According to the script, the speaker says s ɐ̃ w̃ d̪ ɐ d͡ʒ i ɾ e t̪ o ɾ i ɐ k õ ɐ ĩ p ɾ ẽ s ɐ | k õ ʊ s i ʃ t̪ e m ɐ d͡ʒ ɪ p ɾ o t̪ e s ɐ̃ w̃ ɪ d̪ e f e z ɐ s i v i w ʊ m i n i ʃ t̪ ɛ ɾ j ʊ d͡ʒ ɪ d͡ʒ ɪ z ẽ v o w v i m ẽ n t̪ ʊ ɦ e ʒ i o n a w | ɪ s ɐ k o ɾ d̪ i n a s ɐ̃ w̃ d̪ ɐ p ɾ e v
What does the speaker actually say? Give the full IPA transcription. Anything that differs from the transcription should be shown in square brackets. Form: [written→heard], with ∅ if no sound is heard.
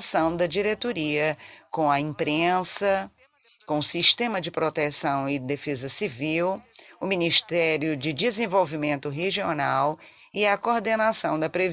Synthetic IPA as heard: s ɐ̃ w̃ d̪ ɐ d͡ʒ i ɾ e t̪ o ɾ i ɐ k õ ɐ ĩ p ɾ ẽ s ɐ | k õ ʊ s i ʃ t̪ [e→ẽ] m ɐ d͡ʒ ɪ p ɾ o t̪ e s ɐ̃ w̃ ɪ d̪ e f e z ɐ s i v i w ʊ m i n i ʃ t̪ ɛ ɾ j ʊ d͡ʒ ɪ d͡ʒ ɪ z ẽ v o w v i m ẽ n t̪ ʊ ɦ e ʒ i o n a w | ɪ [s→∅] ɐ k o ɾ d̪ [i→e] n a s ɐ̃ w̃ d̪ ɐ p ɾ e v

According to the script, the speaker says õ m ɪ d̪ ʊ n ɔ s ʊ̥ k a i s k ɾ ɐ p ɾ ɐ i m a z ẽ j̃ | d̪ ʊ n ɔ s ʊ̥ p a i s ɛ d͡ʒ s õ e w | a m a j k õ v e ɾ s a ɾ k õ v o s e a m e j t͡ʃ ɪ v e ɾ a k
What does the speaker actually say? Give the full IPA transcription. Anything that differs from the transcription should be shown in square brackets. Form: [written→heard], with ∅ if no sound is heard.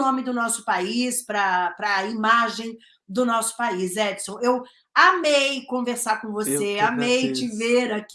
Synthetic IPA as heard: õ m ɪ d̪ ʊ n ɔ s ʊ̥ [k→p] a i s [k→p] ɾ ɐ p ɾ ɐ i m a [z→ʒ] ẽ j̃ | d̪ ʊ n ɔ s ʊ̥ p a i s ɛ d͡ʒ s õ e w | a m [a→e] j k õ v e ɾ s a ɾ k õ v o s e a m e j t͡ʃ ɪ v e ɾ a k

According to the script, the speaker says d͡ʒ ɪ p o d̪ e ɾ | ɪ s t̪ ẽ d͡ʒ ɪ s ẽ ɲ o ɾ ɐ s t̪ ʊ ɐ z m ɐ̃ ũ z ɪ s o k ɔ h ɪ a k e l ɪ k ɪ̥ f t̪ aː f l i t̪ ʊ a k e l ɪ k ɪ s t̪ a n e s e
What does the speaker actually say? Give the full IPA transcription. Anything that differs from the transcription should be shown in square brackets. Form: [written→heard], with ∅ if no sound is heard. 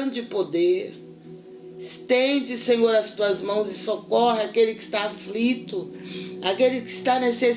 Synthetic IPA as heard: d͡ʒ ɪ p o d̪ e ɾ | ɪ s t̪ ẽ d͡ʒ ɪ s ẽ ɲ o ɾ ɐ s t̪ [ʊ→u] ɐ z m ɐ̃ [ũ→w̃] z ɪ s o k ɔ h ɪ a k e l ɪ k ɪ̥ [f→s] t̪ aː f l i t̪ ʊ a k e l ɪ k ɪ s t̪ a n e s e

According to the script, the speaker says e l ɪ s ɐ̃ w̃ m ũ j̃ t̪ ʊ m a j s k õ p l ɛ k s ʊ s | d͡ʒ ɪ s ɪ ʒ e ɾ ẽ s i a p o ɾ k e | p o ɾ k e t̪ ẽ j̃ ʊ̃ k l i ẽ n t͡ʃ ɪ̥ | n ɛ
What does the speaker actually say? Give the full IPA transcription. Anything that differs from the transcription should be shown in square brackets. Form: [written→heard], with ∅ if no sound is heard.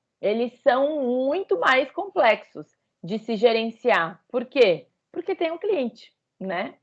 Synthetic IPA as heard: e l ɪ s ɐ̃ w̃ m ũ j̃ t̪ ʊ m a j s k õ p l ɛ k s ʊ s | d͡ʒ ɪ s ɪ ʒ e ɾ ẽ s i a p o ɾ k e | p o ɾ k e t̪ ẽ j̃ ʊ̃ k l i ẽ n t͡ʃ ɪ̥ | n ɛ

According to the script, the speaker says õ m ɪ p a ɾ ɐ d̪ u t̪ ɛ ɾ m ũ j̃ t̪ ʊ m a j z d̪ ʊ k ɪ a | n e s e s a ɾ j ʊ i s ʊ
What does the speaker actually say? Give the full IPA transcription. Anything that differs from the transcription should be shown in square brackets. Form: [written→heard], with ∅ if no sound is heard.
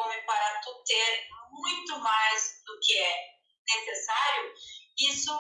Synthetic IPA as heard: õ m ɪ p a ɾ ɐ [d̪→t̪] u t̪ [ɛ→e] ɾ m ũ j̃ t̪ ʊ m a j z d̪ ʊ k ɪ [a→ɛ] | n e s e s a ɾ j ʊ i s ʊ

